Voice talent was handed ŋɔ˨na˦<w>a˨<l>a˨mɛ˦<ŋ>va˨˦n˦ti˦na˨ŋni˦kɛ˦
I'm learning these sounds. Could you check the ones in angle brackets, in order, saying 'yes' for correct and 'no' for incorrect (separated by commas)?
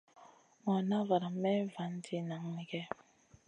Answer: no, no, no